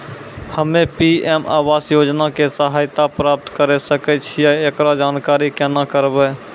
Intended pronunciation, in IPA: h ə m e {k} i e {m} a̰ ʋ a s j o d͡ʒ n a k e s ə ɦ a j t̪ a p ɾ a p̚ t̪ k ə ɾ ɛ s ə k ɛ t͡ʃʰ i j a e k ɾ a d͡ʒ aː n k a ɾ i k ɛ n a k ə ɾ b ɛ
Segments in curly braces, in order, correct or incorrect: incorrect: p, correct

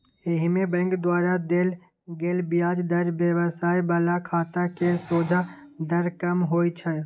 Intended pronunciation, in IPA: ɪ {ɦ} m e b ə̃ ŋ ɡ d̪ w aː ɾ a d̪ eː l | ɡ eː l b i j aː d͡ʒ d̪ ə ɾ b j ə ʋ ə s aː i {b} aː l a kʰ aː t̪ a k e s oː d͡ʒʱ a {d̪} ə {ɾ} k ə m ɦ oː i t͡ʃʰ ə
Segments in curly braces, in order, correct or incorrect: correct, correct, correct, correct

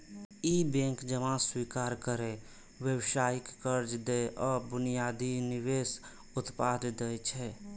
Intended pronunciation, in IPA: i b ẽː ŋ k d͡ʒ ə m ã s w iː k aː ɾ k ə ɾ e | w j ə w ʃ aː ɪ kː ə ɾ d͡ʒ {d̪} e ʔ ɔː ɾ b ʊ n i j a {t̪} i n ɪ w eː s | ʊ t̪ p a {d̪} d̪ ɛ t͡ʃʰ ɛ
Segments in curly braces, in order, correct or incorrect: correct, incorrect: d̪, correct

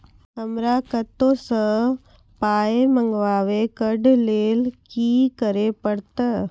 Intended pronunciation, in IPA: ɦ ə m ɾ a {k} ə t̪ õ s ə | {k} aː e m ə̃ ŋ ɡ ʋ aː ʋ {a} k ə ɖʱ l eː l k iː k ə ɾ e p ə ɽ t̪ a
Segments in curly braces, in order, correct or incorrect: correct, incorrect: p, incorrect: e

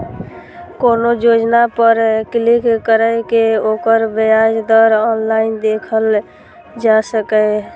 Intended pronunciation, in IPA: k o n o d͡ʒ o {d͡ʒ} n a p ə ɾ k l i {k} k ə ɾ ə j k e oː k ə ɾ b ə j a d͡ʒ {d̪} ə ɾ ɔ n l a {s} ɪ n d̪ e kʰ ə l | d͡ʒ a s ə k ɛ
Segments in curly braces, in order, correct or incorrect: correct, correct, correct, incorrect: none

